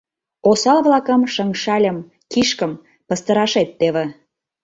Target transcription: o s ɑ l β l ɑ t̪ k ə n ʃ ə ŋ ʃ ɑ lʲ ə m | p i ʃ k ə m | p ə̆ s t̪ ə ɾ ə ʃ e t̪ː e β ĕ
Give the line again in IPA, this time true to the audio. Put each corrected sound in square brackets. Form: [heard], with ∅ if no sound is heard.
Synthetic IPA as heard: o s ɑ l β l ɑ [∅] k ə [m] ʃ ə ŋ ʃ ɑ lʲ ə m | [k] i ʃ k ə m | p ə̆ s t̪ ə ɾ [ɑ] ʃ e t̪ː e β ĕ

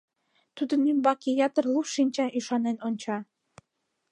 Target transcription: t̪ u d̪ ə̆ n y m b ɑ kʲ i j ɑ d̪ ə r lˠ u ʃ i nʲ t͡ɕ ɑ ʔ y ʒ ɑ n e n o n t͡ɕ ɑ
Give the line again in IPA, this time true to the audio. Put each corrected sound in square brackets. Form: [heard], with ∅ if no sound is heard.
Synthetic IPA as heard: t̪ u d̪ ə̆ n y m b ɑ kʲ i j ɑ [t̪] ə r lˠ u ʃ i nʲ t͡ɕ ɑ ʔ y [ʃ] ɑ n e n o n t͡ɕ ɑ

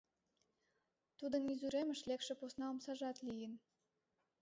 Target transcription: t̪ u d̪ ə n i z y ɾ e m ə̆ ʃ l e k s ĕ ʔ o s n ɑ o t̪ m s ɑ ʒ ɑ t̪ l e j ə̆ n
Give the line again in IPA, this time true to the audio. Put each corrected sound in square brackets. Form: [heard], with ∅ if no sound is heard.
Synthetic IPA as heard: t̪ u d̪ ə n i z y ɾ e m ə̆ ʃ l e k [ʃ] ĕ [p] o s n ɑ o [∅] m s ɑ ʒ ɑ t̪ l [i] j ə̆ n

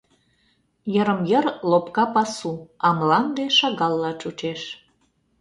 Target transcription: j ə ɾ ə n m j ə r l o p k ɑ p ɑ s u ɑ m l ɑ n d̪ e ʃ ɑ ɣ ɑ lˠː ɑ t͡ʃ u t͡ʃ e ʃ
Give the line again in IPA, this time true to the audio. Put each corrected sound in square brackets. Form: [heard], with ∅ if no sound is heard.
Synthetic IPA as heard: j ə ɾ ə [∅] m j ə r l o p k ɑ p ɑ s u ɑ m l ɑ n d̪ e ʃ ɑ ɣ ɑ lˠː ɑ t͡ʃ u t͡ʃ e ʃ

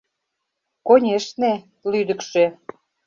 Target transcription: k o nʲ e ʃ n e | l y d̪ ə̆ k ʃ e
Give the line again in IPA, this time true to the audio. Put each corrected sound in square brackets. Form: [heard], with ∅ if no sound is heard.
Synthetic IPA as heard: k o nʲ e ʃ n e | l y d̪ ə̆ k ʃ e

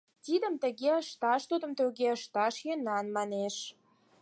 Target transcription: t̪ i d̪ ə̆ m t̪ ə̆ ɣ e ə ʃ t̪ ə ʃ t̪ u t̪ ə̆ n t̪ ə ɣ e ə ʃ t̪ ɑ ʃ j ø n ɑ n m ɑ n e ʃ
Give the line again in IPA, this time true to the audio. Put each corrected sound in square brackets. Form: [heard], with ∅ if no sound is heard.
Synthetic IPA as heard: t̪ i d̪ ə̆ m t̪ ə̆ ɣ e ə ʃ t̪ [ɑ] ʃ t̪ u [d̪] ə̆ [m] t̪ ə ɣ e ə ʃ t̪ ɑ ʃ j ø n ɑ n m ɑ n e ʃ

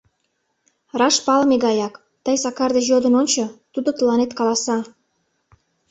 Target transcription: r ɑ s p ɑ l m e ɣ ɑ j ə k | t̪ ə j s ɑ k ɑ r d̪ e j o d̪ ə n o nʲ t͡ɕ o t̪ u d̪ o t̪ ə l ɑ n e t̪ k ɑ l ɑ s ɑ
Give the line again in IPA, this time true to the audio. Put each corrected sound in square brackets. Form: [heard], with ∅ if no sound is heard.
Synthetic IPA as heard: r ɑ [ʃ] p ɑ l m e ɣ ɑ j [ɑ] k | t̪ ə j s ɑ k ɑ r d̪ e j o d̪ ə n o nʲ t͡ɕ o t̪ u d̪ o t̪ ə l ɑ n e t̪ k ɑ l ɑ s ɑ

